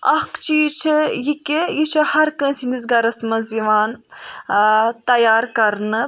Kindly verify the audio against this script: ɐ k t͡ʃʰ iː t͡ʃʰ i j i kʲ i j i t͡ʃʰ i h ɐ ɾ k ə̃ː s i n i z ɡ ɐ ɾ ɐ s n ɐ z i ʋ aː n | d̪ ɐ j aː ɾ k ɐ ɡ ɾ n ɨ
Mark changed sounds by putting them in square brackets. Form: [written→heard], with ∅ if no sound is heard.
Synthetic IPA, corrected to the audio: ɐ k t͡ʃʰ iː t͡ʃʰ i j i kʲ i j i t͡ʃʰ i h ɐ ɾ k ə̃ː s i n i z ɡ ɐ ɾ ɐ s [n→m] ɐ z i ʋ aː n | [d̪→t̪] ɐ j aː ɾ k ɐ [ɡ→∅] ɾ n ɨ